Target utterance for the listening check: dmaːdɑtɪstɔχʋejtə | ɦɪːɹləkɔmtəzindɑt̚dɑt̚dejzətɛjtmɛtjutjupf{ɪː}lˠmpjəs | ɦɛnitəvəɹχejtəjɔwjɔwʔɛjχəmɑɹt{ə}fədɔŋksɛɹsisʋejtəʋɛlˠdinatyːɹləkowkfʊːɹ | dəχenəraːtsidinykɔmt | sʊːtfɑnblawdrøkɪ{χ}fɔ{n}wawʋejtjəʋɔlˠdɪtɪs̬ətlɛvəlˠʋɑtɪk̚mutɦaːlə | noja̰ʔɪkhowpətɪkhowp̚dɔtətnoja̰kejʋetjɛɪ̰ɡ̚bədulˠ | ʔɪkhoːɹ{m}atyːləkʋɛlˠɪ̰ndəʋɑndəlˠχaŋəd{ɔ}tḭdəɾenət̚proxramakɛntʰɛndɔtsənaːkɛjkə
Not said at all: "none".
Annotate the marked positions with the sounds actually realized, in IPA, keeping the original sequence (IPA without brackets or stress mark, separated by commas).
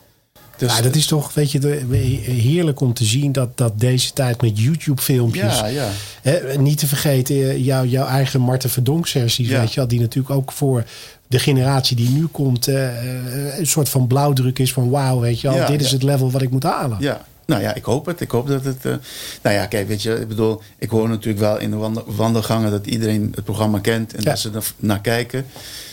ɪ, ə, s, n, n, ɔ